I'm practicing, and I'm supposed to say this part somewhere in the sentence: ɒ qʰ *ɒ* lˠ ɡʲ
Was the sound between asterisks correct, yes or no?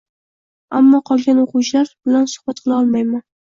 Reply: yes